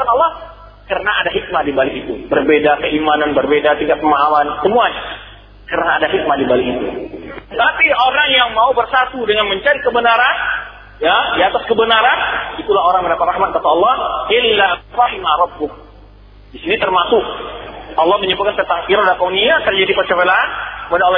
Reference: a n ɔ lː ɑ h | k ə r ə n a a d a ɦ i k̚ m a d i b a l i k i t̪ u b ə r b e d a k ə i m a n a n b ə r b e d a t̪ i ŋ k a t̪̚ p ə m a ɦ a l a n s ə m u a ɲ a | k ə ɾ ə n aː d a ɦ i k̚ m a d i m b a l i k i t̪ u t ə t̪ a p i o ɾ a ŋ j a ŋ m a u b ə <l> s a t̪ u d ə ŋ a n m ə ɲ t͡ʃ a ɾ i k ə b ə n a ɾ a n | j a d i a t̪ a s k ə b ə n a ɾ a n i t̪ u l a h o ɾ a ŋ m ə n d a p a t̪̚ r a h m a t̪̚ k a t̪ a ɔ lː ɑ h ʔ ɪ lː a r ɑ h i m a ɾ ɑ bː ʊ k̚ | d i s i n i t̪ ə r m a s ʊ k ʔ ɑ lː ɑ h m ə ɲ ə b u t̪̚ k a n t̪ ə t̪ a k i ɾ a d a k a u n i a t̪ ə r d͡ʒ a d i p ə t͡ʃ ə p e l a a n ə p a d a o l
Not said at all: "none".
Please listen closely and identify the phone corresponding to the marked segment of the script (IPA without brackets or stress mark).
r